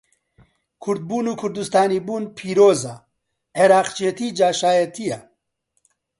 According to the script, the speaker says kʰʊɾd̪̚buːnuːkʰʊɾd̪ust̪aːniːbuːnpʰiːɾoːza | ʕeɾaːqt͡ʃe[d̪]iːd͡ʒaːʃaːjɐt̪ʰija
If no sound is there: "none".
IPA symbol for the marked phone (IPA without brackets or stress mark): t̪